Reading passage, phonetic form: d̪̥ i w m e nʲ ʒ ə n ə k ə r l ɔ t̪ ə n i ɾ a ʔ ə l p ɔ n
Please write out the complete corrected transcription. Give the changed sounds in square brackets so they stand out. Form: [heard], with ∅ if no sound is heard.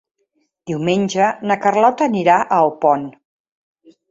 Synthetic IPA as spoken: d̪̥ i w m e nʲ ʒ ə n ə k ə r l ɔ t̪ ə n i ɾ a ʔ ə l p ɔ n